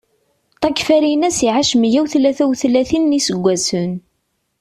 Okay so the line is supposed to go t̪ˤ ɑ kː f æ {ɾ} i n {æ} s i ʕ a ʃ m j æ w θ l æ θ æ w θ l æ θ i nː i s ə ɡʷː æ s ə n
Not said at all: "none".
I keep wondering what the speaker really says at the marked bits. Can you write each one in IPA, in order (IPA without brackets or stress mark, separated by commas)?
ɾ, æ